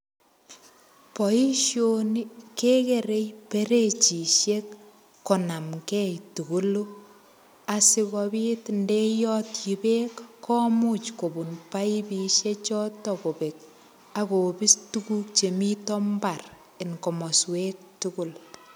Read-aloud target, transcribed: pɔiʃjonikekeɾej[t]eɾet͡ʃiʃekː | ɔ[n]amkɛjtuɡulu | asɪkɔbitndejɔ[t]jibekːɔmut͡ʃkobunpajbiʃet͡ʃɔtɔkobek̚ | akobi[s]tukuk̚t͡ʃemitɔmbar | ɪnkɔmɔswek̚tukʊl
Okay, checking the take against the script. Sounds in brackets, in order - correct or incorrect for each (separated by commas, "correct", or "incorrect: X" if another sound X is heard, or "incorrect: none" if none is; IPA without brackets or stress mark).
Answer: incorrect: p, correct, correct, correct